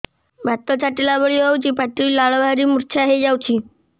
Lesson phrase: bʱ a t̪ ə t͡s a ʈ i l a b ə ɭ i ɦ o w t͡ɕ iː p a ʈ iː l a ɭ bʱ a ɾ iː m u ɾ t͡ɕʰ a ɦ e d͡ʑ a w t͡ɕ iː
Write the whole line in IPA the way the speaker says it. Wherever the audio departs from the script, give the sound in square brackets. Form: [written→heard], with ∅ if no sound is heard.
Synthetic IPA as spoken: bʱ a t̪ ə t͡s a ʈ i l a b ə ɭ i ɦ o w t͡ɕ iː p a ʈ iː l a ɭ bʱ a ɾ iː m u ɾ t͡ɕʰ a ɦ e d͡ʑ a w t͡ɕ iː

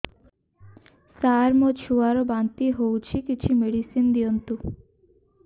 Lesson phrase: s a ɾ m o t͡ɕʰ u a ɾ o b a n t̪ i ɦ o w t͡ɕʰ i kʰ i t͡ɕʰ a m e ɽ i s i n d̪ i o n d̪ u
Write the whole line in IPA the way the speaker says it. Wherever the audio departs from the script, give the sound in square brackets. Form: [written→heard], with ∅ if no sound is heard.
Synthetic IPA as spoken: s a ɾ m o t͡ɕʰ u a ɾ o b a n t̪ i ɦ o w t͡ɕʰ i [kʰ→k] i t͡ɕʰ [a→i] m e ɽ i s i n d̪ i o n [d̪→t̪] u

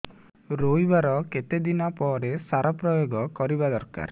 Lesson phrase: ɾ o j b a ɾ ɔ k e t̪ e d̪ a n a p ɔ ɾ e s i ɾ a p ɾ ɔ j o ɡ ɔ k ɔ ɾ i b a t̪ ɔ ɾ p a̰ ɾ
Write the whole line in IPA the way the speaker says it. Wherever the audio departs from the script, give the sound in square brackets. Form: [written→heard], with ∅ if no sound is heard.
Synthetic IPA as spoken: ɾ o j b a ɾ ɔ k e t̪ e d̪ [a→i] n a p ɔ ɾ e s [i→a] ɾ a p ɾ ɔ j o ɡ ɔ k ɔ ɾ i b a [t̪→d̪] ɔ ɾ [p→k] a̰ ɾ

